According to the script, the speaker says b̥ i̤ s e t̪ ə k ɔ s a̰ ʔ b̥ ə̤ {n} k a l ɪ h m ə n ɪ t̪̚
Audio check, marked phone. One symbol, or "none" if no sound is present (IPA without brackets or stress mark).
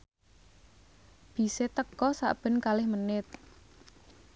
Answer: n